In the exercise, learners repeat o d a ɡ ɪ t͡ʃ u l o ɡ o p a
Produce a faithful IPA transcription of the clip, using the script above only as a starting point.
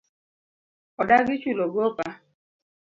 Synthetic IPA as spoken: ɔ d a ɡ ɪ t͡ʃ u l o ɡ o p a